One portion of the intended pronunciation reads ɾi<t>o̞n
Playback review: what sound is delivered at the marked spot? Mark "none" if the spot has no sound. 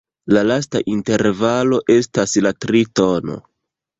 t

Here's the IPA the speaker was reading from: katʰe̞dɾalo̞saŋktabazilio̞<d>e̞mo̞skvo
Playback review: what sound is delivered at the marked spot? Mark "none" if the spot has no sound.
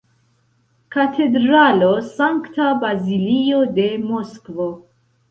d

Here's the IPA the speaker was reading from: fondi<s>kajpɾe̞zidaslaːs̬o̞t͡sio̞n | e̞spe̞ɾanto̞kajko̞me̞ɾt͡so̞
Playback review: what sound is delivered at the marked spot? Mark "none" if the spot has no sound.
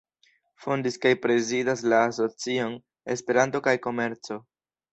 s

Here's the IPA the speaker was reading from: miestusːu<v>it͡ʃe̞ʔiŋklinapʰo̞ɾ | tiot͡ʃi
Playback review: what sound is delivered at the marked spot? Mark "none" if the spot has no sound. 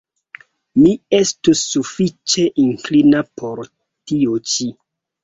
f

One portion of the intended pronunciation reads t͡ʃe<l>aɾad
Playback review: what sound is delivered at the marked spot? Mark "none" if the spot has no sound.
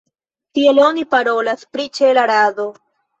l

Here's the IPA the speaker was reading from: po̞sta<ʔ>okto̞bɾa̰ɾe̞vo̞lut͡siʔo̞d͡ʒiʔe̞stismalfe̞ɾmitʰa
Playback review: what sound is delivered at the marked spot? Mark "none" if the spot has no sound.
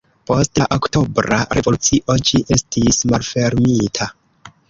ʔ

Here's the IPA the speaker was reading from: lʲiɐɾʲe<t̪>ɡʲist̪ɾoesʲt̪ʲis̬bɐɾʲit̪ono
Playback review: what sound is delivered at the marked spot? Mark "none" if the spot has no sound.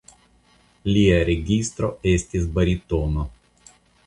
none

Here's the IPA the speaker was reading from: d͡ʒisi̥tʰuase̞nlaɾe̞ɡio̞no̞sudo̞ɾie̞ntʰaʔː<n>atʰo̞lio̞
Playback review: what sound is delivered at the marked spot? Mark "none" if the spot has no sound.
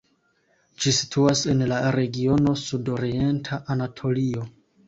n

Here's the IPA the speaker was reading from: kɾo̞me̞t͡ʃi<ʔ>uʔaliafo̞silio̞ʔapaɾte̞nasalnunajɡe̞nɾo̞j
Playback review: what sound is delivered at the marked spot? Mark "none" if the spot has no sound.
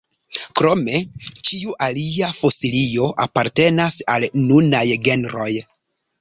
none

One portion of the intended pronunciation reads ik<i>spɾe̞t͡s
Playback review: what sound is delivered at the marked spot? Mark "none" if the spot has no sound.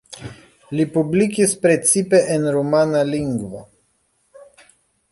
i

